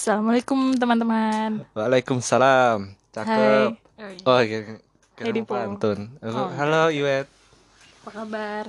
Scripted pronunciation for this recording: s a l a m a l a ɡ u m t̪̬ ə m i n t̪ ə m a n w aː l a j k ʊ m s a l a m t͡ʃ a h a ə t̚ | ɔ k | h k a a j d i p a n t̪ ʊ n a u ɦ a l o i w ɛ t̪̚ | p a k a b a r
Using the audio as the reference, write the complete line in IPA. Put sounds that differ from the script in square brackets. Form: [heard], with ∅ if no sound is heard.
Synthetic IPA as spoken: s a l a m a l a [k] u m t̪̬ ə m [a] n t̪ ə m a n w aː l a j k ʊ m s a l a m t͡ʃ a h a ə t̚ | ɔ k | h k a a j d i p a n t̪ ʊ n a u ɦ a l o i w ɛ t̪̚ | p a k a b a r